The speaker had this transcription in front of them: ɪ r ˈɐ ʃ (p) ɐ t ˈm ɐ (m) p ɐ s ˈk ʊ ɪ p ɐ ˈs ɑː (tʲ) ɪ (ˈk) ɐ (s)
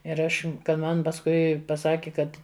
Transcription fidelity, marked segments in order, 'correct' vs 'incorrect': incorrect: k, incorrect: n, incorrect: kʲ, correct, incorrect: t

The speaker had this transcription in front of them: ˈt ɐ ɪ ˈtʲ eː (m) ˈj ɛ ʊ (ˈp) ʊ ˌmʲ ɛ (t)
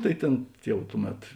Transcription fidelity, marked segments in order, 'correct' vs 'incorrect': incorrect: n, incorrect: t, correct

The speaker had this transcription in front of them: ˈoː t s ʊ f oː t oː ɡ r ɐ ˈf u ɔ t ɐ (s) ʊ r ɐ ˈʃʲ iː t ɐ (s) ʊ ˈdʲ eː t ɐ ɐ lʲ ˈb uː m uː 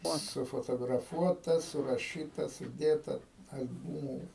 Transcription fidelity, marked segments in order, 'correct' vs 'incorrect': correct, correct

